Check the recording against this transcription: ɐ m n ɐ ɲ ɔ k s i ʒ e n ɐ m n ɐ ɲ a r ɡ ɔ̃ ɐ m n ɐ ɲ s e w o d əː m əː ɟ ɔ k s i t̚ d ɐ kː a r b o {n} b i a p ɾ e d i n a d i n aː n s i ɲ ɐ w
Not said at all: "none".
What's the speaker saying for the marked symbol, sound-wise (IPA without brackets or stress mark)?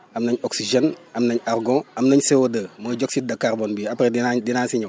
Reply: n